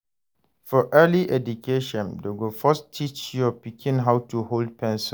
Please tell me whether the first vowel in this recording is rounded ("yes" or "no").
yes